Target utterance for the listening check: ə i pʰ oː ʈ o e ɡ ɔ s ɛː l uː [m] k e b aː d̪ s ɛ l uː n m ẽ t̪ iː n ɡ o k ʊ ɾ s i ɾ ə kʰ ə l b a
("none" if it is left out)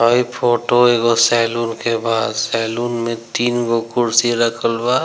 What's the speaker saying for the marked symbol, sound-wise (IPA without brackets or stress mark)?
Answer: n